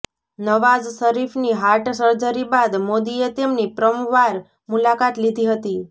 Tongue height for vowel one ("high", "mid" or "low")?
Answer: mid